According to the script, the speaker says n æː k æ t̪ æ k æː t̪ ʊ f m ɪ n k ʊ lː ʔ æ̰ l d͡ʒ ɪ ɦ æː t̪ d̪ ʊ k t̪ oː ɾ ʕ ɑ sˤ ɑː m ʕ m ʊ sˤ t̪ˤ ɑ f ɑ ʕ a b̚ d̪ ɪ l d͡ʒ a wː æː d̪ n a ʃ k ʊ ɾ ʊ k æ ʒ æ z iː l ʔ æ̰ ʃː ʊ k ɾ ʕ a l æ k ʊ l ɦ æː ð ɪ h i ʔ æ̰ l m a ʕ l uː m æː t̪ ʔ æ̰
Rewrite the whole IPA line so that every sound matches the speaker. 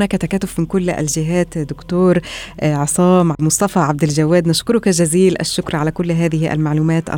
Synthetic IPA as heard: n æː k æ t̪ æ k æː t̪ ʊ f m ɪ n k ʊ lː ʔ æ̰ l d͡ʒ ɪ ɦ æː t̪ d̪ ʊ k t̪ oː ɾ ʕ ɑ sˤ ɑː m ʕ m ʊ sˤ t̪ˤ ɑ f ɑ ʕ a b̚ d̪ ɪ l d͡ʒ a wː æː d̪ n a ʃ k ʊ ɾ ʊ k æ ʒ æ z iː l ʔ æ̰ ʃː ʊ k ɾ ʕ a l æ k ʊ lː ɦ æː ð ɪ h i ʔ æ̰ l m a ʕ l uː m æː t̪ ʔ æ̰